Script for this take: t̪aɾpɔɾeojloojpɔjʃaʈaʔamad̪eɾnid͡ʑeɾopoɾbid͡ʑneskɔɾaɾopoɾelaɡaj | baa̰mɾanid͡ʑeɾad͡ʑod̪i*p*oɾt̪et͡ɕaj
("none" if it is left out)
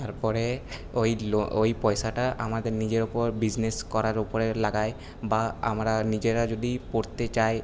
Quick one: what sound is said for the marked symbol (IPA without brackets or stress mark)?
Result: p